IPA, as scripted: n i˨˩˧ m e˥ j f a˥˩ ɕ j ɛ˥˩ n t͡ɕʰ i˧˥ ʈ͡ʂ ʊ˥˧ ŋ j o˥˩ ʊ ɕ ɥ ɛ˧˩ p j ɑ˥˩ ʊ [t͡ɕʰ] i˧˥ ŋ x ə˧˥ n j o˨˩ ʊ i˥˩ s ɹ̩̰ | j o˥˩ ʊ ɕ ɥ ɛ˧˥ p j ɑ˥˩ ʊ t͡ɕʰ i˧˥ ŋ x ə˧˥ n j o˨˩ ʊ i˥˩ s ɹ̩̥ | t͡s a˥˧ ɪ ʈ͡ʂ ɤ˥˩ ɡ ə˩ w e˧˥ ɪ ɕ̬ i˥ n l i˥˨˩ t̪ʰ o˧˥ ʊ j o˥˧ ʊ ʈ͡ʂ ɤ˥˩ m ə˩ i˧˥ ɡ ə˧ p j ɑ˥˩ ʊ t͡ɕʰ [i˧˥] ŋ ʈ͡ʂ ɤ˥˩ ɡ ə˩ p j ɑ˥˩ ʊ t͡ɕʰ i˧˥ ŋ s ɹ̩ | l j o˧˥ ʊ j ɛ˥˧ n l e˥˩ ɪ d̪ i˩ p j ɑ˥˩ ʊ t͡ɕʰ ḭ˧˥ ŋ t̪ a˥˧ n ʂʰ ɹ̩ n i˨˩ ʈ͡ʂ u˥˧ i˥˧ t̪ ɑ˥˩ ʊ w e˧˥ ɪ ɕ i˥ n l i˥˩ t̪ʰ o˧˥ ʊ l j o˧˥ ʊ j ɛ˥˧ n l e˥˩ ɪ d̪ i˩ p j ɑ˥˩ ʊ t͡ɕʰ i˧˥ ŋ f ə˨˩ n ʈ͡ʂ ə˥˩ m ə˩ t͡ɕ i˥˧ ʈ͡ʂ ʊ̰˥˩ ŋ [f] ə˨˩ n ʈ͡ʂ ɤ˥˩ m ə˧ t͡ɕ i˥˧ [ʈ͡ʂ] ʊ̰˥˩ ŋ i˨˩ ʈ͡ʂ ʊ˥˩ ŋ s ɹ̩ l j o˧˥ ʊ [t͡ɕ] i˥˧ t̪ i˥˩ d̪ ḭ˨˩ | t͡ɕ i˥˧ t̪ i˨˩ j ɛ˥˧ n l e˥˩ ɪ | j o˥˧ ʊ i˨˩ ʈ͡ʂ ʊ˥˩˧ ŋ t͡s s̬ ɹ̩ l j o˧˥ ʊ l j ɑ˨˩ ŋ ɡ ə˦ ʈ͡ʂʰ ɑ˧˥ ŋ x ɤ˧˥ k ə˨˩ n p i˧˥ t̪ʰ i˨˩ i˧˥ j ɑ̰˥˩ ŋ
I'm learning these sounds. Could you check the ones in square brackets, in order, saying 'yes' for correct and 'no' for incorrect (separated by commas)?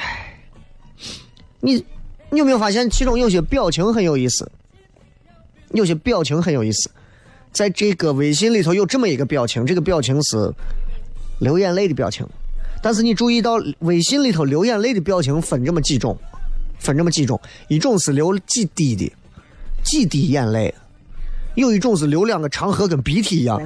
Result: yes, yes, yes, yes, yes